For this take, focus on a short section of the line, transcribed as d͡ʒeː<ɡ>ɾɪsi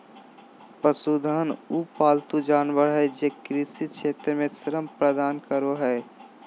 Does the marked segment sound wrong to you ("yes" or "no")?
yes